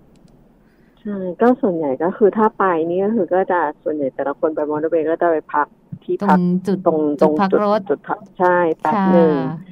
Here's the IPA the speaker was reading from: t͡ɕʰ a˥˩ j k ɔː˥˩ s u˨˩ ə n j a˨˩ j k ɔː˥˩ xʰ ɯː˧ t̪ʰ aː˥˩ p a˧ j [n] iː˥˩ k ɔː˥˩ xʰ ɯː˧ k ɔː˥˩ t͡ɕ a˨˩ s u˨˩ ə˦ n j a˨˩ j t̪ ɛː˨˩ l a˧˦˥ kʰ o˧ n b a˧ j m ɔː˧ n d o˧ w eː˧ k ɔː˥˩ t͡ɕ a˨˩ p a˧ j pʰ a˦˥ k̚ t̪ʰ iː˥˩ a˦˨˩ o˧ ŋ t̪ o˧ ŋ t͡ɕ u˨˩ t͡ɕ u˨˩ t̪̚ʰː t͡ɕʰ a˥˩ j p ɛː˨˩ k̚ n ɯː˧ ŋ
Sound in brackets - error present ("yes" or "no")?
no